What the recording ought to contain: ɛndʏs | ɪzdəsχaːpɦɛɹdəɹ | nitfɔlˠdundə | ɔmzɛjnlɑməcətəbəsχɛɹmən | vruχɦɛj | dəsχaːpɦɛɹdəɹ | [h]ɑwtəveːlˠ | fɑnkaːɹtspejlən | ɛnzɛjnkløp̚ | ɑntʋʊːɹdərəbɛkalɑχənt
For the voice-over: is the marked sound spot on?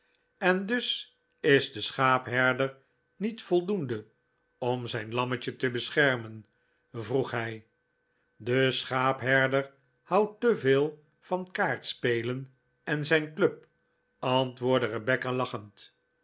yes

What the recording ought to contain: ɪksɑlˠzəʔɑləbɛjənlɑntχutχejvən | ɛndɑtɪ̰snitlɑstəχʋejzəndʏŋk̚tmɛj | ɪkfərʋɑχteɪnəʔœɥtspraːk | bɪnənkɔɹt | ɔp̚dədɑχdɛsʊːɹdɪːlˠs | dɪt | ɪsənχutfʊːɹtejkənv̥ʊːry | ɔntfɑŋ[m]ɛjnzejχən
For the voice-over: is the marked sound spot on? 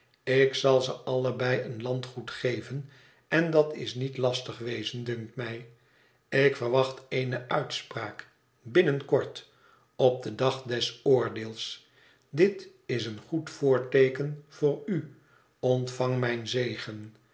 yes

